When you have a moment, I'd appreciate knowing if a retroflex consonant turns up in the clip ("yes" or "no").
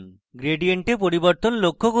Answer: yes